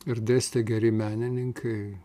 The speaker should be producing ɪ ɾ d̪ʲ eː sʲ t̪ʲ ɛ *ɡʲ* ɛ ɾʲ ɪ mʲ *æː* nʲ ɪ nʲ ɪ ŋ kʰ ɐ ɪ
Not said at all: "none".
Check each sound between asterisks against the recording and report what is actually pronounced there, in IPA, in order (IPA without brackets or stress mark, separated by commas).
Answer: ɡʲ, æː